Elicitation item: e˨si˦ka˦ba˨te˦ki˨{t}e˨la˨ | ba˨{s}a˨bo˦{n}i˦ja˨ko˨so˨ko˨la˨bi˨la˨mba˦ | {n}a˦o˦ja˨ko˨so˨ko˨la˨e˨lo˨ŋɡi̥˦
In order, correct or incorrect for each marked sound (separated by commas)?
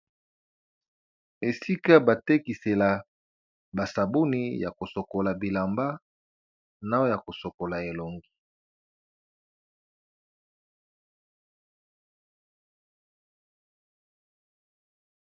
incorrect, correct, correct, correct